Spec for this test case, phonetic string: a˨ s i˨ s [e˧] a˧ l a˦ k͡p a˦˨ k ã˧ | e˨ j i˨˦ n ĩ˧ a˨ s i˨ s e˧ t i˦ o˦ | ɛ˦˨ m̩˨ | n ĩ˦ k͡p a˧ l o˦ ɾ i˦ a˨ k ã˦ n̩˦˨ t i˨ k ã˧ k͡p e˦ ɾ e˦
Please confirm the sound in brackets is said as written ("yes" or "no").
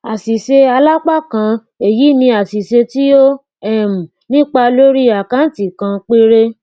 yes